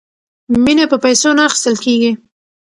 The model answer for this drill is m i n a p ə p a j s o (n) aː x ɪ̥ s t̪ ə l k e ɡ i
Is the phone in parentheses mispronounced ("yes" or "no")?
no